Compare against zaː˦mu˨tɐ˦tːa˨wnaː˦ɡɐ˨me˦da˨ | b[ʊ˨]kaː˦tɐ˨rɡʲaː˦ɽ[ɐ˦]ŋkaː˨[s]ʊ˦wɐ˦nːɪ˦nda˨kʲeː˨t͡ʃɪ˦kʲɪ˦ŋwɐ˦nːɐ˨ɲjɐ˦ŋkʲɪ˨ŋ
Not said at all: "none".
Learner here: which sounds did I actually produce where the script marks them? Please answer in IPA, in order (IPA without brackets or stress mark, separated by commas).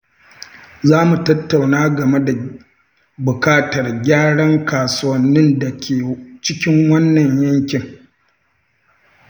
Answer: ʊ˨, ɐ˦, s